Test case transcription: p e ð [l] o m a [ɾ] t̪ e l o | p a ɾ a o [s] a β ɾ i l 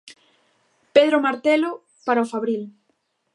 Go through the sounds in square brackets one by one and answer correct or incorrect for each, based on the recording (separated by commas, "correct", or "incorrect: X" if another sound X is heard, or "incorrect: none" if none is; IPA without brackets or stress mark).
incorrect: ɾ, correct, incorrect: f